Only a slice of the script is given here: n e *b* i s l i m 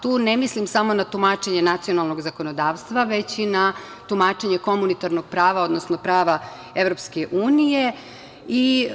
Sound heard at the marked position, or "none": m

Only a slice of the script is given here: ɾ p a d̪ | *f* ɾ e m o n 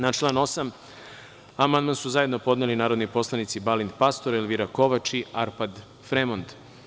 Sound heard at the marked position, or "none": f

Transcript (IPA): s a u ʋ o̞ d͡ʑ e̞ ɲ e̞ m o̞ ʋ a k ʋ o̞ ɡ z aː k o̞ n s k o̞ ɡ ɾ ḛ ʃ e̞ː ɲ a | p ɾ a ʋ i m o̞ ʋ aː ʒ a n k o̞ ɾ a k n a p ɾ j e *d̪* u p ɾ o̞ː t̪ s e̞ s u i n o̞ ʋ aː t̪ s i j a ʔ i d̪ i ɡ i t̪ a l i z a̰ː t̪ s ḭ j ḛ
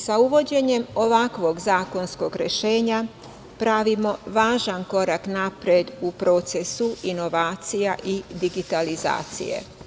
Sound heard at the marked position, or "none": d̪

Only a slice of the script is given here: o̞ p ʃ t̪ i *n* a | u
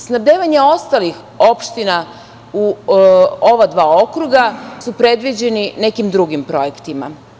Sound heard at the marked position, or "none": n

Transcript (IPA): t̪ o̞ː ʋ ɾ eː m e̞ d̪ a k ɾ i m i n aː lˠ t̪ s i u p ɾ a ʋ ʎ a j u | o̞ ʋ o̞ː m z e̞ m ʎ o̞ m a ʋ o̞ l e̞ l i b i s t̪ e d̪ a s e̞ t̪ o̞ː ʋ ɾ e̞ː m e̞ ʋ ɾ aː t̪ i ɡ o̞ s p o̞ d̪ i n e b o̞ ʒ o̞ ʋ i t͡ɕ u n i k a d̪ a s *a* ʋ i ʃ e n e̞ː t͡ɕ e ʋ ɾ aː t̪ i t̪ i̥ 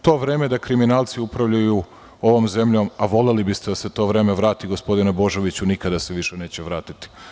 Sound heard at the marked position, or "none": e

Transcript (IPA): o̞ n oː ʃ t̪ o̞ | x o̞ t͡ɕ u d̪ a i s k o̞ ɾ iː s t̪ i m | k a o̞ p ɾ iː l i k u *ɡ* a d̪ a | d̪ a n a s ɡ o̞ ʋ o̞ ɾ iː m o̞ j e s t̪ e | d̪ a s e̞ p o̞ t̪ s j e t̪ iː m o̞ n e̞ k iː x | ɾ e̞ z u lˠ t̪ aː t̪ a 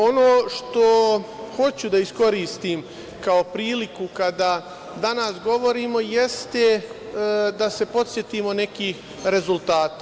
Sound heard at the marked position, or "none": k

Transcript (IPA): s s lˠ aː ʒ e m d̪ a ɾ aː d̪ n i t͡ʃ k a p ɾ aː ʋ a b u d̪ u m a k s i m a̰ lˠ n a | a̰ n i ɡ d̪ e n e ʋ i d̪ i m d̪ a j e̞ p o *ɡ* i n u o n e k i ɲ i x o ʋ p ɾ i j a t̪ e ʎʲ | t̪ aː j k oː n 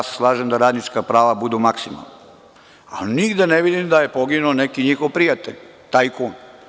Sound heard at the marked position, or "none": ɡ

